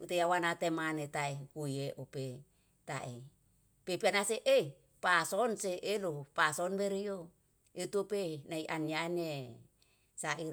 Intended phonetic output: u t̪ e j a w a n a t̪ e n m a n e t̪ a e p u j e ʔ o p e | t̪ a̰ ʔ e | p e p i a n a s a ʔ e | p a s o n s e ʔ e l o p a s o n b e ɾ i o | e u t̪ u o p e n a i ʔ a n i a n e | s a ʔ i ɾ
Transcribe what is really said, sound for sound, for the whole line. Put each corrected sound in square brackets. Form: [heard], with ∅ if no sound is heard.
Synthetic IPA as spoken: u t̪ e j a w a n a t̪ e [∅] m a n e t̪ a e [k] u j e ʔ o p e | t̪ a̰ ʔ e | p e p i a n a s [e] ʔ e | p a s o n s e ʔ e l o p a s o n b e ɾ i o | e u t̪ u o p e n a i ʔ a n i a n e | s a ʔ i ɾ